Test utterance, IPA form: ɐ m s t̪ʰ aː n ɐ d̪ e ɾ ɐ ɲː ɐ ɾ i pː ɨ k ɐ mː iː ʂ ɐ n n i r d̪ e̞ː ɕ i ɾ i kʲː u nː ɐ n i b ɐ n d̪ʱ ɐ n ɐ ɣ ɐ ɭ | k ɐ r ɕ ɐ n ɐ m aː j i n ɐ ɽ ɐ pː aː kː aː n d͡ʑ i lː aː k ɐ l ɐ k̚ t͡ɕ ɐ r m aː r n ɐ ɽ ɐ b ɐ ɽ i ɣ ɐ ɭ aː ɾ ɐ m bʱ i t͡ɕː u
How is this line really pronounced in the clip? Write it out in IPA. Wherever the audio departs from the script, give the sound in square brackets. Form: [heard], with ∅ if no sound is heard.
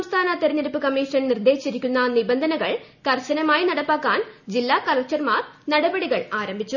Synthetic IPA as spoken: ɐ m s t̪ʰ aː n ɐ [t̪] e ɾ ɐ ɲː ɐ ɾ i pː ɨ k ɐ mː iː ʂ ɐ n n i r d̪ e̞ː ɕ i ɾ i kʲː u nː ɐ n i b ɐ n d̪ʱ ɐ n ɐ ɣ ɐ ɭ | k ɐ r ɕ ɐ n ɐ m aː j i n ɐ ɽ ɐ pː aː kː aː n d͡ʑ i lː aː k ɐ l ɐ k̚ t͡ɕ ɐ r m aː r n ɐ ɽ ɐ b ɐ ɽ i ɣ ɐ ɭ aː ɾ ɐ m bʱ i t͡ɕː u